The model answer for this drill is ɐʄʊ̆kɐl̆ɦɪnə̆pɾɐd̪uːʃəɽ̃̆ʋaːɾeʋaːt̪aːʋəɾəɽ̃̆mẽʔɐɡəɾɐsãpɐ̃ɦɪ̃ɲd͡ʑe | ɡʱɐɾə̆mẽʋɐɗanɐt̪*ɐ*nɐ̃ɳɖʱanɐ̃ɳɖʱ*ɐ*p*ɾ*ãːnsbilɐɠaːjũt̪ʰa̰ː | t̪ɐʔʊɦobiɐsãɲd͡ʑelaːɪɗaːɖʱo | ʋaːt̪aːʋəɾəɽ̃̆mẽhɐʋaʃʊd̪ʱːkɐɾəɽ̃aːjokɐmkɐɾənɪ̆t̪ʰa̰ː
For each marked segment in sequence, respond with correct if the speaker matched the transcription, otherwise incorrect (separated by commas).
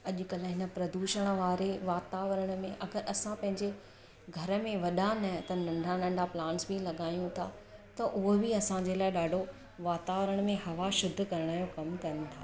correct, incorrect, incorrect